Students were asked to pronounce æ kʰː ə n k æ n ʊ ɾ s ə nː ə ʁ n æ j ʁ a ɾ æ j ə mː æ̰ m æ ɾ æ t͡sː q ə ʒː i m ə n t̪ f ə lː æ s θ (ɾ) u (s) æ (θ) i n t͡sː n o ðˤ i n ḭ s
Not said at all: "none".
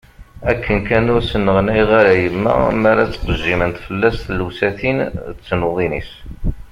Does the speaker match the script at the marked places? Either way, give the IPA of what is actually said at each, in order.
l, s, θ

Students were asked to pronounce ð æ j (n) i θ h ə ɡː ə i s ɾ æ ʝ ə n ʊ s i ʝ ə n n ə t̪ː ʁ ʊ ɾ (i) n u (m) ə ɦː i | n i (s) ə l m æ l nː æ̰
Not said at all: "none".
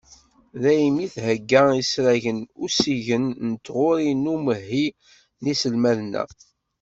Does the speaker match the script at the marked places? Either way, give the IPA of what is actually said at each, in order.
m, i, m, s

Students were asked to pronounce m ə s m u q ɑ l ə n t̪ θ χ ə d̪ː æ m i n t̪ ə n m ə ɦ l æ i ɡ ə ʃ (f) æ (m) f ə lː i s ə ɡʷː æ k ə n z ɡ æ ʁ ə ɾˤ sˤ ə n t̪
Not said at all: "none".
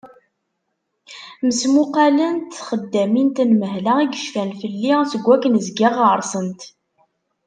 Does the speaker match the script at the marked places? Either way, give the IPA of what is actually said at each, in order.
f, n

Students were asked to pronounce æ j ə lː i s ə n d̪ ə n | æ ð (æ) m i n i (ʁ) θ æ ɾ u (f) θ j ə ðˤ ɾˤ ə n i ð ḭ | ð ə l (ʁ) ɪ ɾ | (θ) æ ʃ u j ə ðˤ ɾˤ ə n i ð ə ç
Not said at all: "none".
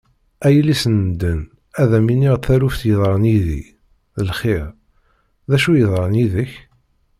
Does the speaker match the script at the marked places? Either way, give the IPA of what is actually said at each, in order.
æ, ʁ, f, χ, ð

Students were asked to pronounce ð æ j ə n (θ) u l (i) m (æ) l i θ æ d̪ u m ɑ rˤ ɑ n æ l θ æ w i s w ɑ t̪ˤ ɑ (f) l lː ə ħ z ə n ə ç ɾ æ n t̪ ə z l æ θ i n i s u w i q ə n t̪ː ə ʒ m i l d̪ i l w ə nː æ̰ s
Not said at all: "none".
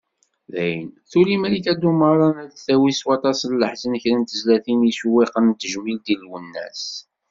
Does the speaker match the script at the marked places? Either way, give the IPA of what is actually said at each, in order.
θ, i, æ, s

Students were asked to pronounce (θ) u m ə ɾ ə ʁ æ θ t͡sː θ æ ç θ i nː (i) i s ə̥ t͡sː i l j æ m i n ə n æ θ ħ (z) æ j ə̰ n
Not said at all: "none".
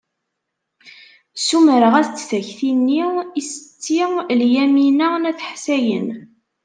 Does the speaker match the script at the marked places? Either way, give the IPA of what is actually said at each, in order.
s, i, s

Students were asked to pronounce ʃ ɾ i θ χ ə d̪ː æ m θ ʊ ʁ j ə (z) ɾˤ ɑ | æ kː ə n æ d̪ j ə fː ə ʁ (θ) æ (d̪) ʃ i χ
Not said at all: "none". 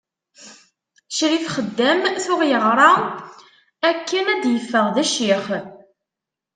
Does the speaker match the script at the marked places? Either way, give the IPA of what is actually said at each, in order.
ʁ, ð, none

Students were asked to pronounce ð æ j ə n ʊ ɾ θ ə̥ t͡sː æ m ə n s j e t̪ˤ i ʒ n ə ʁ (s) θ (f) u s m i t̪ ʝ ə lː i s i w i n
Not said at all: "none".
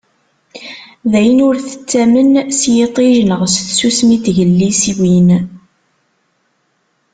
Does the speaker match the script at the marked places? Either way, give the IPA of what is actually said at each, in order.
s, s

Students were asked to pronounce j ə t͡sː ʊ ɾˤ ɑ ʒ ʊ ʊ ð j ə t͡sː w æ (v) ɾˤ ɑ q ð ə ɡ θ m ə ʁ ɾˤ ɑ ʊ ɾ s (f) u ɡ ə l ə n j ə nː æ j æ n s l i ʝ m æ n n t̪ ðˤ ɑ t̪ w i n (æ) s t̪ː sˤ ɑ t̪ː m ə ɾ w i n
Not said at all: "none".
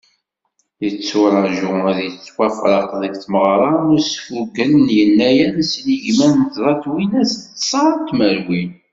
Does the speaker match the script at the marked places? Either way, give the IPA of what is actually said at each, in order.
f, f, æ

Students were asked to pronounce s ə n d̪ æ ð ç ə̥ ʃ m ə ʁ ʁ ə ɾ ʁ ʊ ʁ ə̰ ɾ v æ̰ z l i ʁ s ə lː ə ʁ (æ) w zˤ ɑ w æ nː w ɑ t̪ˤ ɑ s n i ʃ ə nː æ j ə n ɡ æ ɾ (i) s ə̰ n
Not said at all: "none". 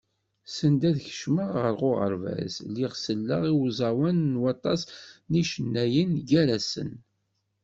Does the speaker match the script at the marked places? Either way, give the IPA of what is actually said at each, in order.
i, æ

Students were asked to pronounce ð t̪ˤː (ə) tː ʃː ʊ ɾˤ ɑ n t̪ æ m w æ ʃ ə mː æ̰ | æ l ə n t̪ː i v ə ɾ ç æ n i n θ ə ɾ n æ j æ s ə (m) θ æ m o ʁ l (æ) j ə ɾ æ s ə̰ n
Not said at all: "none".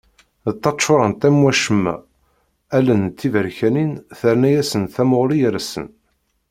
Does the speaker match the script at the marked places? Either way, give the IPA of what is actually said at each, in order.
ɑ, n, i

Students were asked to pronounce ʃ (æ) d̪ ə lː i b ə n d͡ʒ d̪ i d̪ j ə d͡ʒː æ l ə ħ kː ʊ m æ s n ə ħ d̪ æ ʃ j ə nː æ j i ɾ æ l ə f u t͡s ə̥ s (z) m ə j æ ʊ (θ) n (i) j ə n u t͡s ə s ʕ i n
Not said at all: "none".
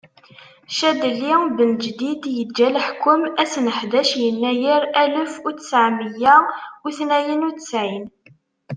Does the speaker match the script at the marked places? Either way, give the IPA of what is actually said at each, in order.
æ, ʕ, θ, æ

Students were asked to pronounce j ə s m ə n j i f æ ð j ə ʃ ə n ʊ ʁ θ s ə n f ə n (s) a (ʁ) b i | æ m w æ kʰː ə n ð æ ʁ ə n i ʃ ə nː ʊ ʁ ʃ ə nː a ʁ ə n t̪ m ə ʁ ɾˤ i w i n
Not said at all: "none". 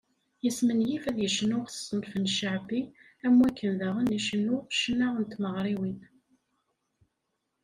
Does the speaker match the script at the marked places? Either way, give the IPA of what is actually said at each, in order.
ʃ, ʕ

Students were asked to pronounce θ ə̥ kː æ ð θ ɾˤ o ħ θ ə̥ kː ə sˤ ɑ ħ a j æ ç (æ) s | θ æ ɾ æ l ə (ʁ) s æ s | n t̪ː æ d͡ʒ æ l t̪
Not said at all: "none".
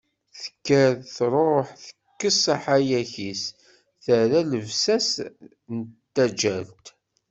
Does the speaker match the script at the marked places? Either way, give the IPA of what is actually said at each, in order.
i, v

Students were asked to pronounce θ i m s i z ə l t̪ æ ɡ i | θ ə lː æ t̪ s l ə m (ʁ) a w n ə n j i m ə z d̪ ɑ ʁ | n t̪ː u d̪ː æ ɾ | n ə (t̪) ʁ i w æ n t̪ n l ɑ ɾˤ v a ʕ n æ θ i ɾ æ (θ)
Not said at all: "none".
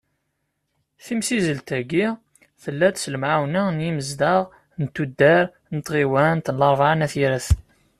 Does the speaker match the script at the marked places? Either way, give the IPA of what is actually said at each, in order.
ʕ, t̪, θ

